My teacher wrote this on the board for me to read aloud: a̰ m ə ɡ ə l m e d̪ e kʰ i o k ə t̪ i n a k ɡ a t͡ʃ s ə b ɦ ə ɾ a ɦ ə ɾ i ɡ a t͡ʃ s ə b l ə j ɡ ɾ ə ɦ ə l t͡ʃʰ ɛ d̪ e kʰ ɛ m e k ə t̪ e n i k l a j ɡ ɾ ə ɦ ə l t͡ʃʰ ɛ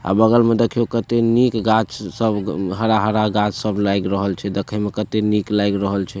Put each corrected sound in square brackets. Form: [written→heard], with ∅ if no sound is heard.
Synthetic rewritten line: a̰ [m→b] ə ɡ ə l m e d̪ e kʰ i o k ə t̪ [i→e] n [a→i] k ɡ a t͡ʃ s ə b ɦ ə ɾ a ɦ ə ɾ [i→a] ɡ a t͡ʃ s ə b l [ə→a] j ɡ ɾ ə ɦ ə l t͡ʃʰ ɛ d̪ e kʰ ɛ m e k ə t̪ e n i k l a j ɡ ɾ ə ɦ ə l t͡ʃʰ ɛ